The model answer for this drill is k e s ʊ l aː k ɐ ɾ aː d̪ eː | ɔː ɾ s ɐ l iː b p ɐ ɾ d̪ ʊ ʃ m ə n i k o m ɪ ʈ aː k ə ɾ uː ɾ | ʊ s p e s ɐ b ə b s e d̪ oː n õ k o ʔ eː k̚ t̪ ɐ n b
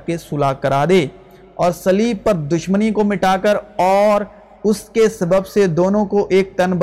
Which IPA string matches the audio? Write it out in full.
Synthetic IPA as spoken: k e s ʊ l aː k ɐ ɾ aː d̪ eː | ɔː ɾ s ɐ l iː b p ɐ ɾ d̪ ʊ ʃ m ə n i k o m ɪ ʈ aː k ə ɾ ɔː ɾ | ʊ s k e s ɐ b ə b s e d̪ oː n õ k o ʔ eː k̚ t̪ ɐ n b